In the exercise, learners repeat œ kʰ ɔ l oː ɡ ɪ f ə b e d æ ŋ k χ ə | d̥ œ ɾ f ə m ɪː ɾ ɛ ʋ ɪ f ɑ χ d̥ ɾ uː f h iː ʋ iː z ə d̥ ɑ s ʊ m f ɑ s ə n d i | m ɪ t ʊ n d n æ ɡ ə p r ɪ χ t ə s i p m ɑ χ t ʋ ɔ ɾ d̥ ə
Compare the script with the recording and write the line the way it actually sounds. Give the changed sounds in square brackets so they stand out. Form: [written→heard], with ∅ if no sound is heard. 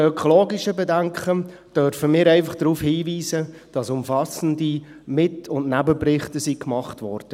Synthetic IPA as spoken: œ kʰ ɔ l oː ɡ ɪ [f→ʃ] ə b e d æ ŋ k χ ə | d̥ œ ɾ f ə m ɪː ɾ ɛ [ʋ→∅] ɪ f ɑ χ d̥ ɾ uː f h iː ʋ iː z ə d̥ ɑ s ʊ m f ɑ s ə n d i | m ɪ t ʊ n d n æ [ɡ→b] ə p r ɪ χ t ə s i [p→k] m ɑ χ t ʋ ɔ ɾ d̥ ə

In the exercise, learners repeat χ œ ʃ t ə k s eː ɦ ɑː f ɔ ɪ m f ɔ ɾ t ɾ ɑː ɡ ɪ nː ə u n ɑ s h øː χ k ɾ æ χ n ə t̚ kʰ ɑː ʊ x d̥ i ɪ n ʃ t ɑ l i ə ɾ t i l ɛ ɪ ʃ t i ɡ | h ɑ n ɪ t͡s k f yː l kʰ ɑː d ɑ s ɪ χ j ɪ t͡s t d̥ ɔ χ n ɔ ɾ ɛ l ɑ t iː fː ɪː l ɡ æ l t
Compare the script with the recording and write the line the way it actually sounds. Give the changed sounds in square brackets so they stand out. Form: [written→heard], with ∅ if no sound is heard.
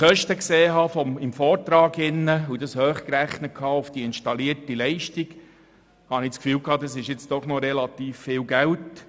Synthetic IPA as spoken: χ œ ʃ t ə k s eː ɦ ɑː f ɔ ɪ m f [ɔ→ɔː] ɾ t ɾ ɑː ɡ ɪ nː ə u [n→d] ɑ s h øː χ k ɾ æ χ n ə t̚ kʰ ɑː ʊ [x→f] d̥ i ɪ n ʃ t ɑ l i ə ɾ t i l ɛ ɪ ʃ t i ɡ | h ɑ n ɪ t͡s k f yː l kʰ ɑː d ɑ s ɪ [χ→ʃ] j ɪ t͡s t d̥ ɔ χ n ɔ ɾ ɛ l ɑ t iː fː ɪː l ɡ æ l t

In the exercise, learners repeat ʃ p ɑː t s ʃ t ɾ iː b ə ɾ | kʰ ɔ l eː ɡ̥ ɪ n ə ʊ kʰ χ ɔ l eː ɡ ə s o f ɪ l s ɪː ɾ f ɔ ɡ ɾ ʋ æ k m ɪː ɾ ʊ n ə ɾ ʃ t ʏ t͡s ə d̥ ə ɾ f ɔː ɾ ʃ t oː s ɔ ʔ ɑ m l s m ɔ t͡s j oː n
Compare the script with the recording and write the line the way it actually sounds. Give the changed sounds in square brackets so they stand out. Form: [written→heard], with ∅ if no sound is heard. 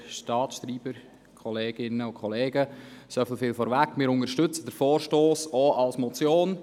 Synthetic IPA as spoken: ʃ [p→t] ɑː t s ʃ t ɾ iː b ə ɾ | kʰ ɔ l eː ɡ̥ ɪ n ə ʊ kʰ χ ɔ l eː ɡ ə s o f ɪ l [s→f] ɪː [ɾ→l] f ɔ [ɡ→∅] ɾ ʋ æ k m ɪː ɾ ʊ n ə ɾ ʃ t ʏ t͡s ə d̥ ə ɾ f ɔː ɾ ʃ t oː s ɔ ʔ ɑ [m→∅] l s m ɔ t͡s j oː n

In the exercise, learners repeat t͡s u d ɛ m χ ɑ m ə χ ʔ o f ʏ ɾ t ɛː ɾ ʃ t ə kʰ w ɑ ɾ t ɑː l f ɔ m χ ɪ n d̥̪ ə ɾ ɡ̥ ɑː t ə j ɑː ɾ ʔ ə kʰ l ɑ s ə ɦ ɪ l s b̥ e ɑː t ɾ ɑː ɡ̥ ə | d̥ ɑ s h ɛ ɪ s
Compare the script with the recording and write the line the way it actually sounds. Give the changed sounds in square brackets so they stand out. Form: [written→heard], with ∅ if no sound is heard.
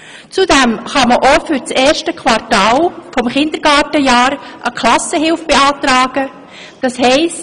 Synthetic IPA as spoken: t͡s u d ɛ m χ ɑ m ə [χ→∅] ʔ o f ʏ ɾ [t→t͡s] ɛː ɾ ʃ t ə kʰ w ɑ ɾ t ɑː l f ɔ m χ ɪ n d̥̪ ə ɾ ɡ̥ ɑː t ə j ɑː ɾ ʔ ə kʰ l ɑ s ə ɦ ɪ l [s→f] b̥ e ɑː t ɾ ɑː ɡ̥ ə | d̥ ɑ s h ɛ ɪ s

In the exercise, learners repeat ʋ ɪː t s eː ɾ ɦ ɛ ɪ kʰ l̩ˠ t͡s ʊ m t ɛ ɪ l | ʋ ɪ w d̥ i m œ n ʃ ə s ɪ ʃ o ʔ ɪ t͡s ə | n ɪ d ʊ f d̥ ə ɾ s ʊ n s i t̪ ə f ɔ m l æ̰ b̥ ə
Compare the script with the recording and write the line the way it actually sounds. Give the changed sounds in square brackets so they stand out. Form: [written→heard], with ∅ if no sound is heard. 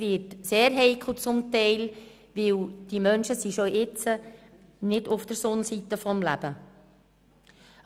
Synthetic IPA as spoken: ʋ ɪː t s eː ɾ ɦ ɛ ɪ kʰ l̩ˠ t͡s ʊ m t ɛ ɪ l | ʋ ɪ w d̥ i m œ n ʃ ə s [ɪ→i] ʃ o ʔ ɪ t͡s ə | n ɪ d ʊ f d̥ ə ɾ s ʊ n s i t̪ ə f ɔ m l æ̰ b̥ ə

